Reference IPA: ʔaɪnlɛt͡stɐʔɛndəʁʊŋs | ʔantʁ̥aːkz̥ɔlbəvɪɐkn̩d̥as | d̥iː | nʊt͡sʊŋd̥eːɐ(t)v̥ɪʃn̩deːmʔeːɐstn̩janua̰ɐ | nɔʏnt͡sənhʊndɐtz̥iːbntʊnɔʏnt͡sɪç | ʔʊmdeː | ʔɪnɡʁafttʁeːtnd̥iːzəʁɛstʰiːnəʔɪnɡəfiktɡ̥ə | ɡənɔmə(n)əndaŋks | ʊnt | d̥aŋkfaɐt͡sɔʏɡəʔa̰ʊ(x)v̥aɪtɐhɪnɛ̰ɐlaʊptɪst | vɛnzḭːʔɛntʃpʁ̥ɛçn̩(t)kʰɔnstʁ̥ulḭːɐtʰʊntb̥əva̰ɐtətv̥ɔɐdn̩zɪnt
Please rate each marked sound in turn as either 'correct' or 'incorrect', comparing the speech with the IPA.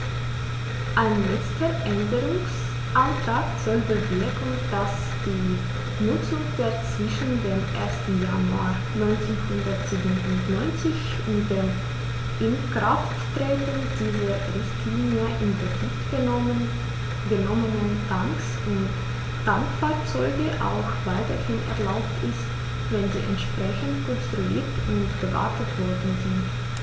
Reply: incorrect: t͡s, correct, correct, correct

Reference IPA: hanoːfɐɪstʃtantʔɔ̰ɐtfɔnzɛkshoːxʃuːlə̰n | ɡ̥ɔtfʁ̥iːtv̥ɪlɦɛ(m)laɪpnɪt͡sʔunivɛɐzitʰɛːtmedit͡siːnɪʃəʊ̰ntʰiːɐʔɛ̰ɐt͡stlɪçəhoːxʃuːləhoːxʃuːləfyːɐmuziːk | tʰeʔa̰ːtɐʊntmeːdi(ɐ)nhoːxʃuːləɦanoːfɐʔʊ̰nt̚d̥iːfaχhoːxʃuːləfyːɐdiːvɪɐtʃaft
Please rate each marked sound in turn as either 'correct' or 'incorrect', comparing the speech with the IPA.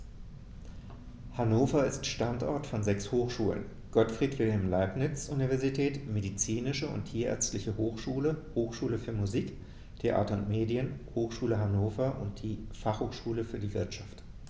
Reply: correct, incorrect: ə

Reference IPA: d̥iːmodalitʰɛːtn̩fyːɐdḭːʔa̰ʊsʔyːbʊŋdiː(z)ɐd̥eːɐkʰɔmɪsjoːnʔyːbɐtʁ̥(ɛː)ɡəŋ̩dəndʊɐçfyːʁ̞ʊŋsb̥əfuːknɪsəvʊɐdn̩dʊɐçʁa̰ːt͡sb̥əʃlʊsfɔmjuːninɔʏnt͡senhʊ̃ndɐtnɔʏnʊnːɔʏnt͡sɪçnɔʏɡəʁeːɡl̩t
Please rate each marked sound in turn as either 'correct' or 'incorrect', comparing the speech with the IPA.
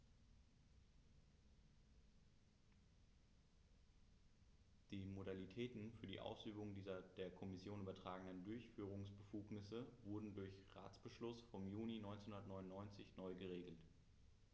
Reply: correct, incorrect: aː

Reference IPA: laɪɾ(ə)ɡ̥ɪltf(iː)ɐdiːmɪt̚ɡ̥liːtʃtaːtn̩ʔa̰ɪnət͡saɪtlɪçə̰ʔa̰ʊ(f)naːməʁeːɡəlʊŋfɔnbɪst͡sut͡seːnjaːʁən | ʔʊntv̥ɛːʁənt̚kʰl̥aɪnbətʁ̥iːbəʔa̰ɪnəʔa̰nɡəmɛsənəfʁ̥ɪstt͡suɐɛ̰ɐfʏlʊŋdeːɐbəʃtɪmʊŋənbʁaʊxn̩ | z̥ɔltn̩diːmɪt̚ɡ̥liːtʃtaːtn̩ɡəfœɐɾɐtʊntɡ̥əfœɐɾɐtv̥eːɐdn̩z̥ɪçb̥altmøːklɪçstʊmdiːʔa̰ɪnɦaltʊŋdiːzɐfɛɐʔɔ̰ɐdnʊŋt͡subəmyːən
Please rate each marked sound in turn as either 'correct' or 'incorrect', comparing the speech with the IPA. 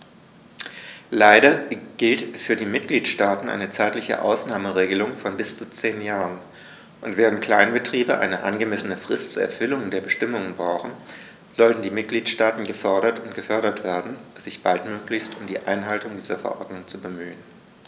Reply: incorrect: ɐ, incorrect: yː, incorrect: s

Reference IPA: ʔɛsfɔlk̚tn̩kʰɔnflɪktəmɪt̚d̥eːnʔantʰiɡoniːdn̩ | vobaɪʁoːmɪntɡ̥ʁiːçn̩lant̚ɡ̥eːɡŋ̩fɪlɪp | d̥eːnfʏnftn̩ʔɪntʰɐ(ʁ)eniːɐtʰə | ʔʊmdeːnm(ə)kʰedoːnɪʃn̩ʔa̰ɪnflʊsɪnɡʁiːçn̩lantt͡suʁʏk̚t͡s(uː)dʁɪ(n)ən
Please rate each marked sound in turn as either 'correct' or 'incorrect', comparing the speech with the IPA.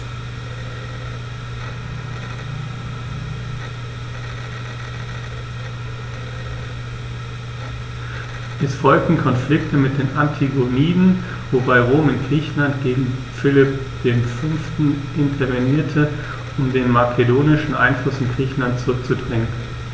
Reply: incorrect: v, incorrect: a, incorrect: u, incorrect: ŋ

